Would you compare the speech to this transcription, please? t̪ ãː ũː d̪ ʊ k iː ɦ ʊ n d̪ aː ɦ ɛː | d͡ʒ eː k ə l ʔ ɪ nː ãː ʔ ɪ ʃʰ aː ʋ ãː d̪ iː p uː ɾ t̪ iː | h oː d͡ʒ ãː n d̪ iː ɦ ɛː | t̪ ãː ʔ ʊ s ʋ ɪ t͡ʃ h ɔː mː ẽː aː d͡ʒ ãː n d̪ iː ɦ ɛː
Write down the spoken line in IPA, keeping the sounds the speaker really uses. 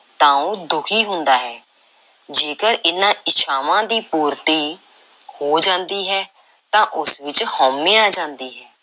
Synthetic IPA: t̪ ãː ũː d̪ ʊ kʰ iː ɦ ʊ n d̪ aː ɦ ɛː | d͡ʒ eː k ə ɾ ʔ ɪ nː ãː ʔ ɪ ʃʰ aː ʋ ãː d̪ iː p uː ɾ t̪ iː | h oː d͡ʒ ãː n d̪ iː ɦ ɛː | t̪ ãː ʔ ʊ s ʋ ɪ t͡ʃ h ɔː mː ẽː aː d͡ʒ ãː n d̪ iː ɦ ɛː